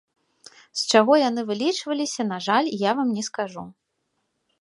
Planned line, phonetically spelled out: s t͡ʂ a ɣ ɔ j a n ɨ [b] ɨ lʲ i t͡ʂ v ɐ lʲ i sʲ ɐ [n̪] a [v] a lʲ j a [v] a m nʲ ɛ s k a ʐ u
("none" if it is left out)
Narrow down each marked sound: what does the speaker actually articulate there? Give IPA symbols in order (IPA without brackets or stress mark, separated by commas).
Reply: v, n̪, ʐ, v